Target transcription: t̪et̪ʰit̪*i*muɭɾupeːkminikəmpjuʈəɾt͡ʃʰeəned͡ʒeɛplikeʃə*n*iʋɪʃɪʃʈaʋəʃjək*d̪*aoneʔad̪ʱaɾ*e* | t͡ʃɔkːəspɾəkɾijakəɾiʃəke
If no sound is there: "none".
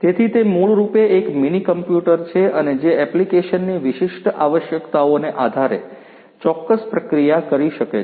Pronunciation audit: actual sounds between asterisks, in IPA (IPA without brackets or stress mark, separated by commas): e, nː, t̪, e